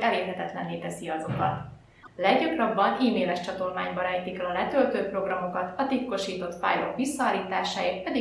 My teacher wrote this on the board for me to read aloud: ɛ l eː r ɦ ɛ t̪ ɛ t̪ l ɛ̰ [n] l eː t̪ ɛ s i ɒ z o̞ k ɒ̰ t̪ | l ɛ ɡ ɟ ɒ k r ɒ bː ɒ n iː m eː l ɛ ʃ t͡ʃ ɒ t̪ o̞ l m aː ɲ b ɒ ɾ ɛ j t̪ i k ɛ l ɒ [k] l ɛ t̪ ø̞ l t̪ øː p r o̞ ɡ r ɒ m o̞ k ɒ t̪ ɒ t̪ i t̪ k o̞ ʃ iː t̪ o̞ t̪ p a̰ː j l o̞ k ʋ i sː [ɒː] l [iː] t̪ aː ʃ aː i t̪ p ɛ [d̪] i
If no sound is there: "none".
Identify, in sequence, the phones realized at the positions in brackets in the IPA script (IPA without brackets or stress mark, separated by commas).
n, none, ɒː, iː, d̪